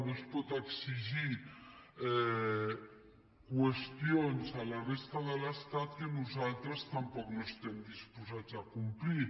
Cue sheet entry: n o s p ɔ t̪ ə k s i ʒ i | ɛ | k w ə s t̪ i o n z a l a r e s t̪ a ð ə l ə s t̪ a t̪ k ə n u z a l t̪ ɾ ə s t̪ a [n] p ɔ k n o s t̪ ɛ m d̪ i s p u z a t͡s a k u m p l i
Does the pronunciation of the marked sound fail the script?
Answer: yes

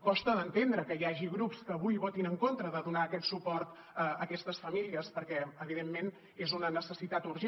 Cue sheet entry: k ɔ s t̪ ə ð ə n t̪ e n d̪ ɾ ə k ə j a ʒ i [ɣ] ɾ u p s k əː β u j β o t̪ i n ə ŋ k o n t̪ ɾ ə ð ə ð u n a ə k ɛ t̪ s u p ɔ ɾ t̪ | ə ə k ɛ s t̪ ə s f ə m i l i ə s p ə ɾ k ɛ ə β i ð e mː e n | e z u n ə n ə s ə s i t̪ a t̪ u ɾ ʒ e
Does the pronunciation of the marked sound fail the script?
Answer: no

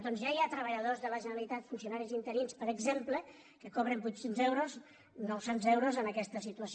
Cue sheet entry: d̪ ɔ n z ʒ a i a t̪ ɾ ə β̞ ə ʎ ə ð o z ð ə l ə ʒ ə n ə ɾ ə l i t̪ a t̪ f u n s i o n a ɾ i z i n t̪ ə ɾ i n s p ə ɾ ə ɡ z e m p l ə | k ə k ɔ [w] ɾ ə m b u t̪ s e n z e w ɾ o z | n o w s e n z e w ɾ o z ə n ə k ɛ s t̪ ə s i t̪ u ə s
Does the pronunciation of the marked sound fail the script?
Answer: yes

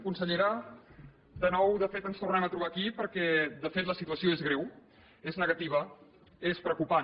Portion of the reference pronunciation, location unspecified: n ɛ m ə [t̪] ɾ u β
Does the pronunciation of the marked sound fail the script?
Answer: no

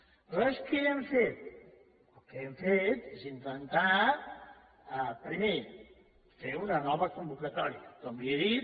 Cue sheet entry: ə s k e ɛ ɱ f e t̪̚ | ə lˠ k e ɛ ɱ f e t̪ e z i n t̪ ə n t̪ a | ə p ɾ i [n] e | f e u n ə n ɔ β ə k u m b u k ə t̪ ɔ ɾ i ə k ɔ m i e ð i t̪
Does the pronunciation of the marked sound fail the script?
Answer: yes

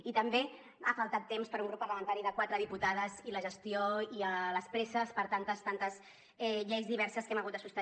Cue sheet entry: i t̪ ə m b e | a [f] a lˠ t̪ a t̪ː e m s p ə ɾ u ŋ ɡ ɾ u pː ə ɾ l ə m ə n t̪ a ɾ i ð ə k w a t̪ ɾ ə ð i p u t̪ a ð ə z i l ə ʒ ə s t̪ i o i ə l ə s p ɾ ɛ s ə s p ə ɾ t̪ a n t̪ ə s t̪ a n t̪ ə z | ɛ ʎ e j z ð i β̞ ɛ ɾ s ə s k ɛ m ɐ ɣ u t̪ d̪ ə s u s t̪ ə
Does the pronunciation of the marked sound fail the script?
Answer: no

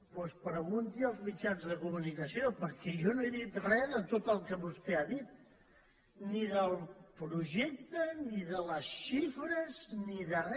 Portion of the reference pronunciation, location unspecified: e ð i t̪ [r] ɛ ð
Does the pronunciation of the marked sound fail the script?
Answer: no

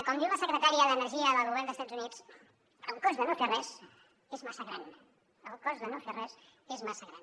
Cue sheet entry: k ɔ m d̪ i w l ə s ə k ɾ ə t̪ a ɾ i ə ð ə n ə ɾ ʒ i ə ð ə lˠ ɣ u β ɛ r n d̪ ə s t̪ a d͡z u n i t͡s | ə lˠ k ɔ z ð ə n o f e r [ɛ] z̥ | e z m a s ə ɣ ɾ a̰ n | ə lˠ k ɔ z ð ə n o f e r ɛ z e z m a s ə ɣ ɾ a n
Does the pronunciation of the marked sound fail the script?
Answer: no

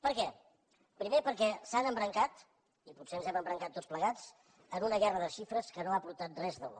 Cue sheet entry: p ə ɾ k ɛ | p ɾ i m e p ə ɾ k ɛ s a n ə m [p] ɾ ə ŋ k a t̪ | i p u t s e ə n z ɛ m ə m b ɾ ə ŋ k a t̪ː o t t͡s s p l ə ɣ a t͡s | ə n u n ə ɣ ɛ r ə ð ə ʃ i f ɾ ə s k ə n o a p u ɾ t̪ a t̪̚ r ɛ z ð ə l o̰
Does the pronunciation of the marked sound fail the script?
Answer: yes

